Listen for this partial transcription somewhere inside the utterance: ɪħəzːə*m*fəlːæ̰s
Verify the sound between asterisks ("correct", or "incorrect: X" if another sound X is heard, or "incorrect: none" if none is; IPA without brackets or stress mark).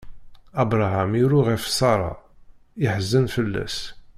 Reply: incorrect: n